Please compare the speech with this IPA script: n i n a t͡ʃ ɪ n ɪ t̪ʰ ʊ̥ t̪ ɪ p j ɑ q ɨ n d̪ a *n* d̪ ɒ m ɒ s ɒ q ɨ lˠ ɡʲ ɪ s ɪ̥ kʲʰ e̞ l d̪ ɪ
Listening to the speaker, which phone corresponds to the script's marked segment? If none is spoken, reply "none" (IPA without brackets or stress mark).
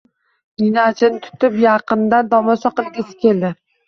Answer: n